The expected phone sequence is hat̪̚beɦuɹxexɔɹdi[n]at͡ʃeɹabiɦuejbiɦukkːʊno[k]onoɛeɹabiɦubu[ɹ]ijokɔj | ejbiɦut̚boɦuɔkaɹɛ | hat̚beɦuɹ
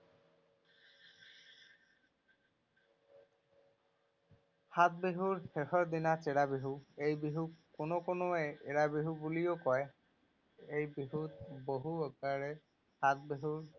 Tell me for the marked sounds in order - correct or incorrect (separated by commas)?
correct, correct, incorrect